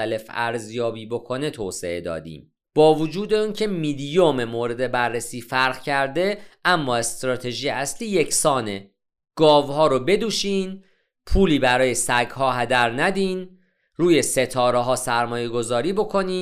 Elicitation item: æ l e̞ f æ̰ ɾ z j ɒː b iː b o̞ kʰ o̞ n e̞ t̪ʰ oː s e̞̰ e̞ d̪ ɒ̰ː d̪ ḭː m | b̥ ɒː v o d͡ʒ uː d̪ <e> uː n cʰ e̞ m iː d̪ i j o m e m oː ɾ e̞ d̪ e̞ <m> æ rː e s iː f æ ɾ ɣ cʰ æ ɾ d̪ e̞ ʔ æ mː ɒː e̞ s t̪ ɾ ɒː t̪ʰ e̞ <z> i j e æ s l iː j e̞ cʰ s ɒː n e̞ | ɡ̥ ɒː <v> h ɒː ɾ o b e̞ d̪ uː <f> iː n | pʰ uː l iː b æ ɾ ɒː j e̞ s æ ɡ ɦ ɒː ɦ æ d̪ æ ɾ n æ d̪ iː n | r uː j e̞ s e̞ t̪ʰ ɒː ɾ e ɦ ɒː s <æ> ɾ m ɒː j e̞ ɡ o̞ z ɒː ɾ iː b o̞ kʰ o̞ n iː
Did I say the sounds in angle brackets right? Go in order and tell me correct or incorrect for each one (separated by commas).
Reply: correct, incorrect, incorrect, correct, incorrect, correct